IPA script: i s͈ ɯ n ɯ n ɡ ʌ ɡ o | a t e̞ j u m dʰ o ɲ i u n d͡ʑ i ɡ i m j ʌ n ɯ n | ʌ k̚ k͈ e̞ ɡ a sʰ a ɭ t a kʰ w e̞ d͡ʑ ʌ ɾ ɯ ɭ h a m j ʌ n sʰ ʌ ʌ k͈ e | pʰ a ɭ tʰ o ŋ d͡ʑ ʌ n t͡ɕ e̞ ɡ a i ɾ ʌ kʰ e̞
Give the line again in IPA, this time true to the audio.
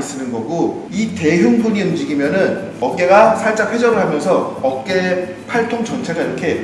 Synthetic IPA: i s͈ ɯ n ɯ n ɡ ʌ ɡ o | i t e̞ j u ŋ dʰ o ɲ i u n d͡ʑ i ɡ i m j ʌ n ɯ n | ʌ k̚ k͈ e̞ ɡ a sʰ a ɭ t͡ɕ͈ a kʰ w e̞ d͡ʑ ʌ ɾ ɯ ɭ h a m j ʌ n sʰ ʌ ʌ k͈ e | pʰ a ɭ tʰ o ŋ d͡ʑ ʌ n t͡ɕʰ e̞ ɡ a i ɾ ʌ kʰ e̞